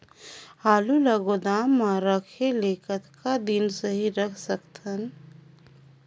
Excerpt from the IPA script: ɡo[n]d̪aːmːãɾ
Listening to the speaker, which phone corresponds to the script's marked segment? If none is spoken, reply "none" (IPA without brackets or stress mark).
none